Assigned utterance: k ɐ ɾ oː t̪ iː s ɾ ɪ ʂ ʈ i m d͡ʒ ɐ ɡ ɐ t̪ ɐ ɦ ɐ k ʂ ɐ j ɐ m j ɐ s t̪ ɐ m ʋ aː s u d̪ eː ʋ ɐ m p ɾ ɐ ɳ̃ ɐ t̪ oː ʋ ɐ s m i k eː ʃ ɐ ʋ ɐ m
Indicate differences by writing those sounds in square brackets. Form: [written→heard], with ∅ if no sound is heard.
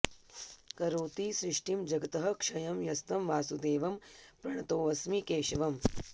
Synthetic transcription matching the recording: k ɐ ɾ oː t̪ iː s ɾ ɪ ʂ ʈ i m d͡ʒ ɐ ɡ ɐ t̪ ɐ ɦ ɐ k ʂ ɐ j ɐ m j ɐ s t̪ ɐ m ʋ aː s u d̪ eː ʋ ɐ m p ɾ ɐ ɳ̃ ɐ t̪ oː ʋ ɐ s m i k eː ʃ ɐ ʋ ɐ m